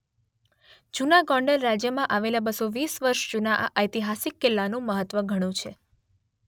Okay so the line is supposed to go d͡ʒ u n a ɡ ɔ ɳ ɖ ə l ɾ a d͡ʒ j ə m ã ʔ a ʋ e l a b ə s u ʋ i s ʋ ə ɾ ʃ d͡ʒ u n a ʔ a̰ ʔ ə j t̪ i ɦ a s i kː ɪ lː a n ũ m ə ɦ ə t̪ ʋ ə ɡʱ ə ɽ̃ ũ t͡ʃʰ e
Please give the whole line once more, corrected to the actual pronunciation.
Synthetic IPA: d͡ʒ u n a ɡ ɔ ɳ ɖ ə l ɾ a d͡ʒ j ə m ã ʔ a ʋ e l a b ə s o ʋ i s ʋ ə ɾ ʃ d͡ʒ u n a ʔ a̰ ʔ ə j t̪ i ɦ a s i kː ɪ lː a n ũ m ə ɦ ə t̪ ʋ ə ɡʱ ə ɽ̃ ũ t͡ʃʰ e

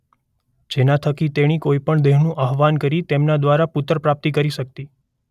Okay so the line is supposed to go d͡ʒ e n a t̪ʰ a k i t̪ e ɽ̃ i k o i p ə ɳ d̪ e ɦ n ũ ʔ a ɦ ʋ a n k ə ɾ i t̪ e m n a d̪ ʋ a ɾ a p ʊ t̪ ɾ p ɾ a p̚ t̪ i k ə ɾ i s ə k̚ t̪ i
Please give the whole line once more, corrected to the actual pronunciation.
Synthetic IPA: d͡ʒ e n a t̪ʰ ə k i t̪ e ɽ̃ i k o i p ə ɳ d̪ e ɦ n ũ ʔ a ɦ ʋ a n k ə ɾ i t̪ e m n a d̪ ʋ a ɾ a p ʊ t̪ ɾ p ɾ a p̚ t̪ i k ə ɾ i ʃ ə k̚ t̪ i

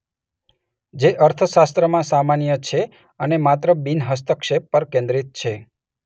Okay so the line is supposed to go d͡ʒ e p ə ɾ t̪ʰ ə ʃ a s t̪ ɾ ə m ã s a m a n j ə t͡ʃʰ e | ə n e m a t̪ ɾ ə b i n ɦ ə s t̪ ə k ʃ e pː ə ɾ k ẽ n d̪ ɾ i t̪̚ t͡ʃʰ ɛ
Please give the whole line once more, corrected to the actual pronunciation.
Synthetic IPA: d͡ʒ e ʔ ə ɾ t̪ʰ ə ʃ a s t̪ ɾ ə m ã s a m a n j ə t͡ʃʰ e | ə n e m a t̪ ɾ ə b i n ɦ ə s t̪ ə k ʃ e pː ə ɾ k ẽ n d̪ ɾ i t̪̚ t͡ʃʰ e

